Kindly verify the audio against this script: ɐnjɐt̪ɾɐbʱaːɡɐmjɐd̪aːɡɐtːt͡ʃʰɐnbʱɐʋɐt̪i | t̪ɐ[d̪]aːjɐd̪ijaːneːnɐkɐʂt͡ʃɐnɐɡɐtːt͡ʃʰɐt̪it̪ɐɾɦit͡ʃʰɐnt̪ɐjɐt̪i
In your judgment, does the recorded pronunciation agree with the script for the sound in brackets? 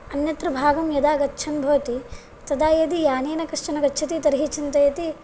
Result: yes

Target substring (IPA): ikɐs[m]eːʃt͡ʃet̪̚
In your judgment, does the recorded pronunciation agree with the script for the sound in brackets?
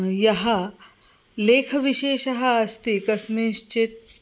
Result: yes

